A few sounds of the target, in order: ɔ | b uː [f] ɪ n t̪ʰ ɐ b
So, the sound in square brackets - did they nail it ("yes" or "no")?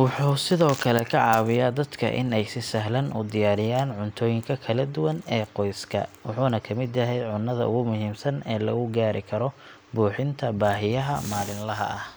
no